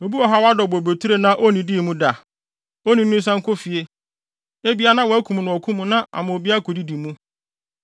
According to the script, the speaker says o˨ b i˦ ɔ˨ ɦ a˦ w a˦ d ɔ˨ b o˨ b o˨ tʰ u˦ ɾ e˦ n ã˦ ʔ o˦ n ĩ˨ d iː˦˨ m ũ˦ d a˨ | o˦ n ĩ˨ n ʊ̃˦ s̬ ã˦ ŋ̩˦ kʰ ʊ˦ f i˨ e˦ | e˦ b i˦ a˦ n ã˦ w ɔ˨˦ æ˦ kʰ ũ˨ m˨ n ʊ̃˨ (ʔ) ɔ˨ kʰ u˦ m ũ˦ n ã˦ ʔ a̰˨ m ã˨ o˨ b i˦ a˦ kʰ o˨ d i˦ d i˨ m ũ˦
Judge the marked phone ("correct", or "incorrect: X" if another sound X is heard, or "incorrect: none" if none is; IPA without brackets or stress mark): incorrect: none